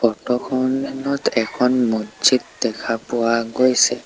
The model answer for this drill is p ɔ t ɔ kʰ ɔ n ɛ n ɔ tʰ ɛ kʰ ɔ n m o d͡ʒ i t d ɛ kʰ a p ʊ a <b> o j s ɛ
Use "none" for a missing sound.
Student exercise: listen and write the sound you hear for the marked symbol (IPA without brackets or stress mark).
ɡ